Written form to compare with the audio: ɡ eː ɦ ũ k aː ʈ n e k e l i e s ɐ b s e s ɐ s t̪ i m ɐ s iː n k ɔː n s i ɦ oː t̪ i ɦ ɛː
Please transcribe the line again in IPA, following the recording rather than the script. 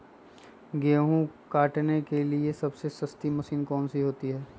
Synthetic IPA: ɡ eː ɦ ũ k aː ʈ n e k e l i e s ɐ b s e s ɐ s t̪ i m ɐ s iː n k ɔː n s i ɦ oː t̪ i ɦ ɛː